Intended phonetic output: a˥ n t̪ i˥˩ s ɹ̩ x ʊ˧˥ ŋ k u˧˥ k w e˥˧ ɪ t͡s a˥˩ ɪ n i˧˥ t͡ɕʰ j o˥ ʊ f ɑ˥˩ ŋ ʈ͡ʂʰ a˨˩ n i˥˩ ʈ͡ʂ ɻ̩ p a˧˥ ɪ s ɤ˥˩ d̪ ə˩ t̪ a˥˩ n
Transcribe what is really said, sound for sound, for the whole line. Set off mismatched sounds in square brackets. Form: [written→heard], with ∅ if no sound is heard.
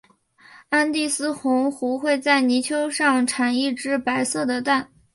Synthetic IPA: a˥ n t̪ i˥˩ s ɹ̩ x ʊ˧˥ ŋ [k→x] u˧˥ [k→x] w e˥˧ ɪ t͡s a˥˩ ɪ n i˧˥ t͡ɕʰ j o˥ ʊ [f→ʂ] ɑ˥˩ ŋ ʈ͡ʂʰ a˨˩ n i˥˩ ʈ͡ʂ ɻ̩ p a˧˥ ɪ s ɤ˥˩ d̪ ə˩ t̪ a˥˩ n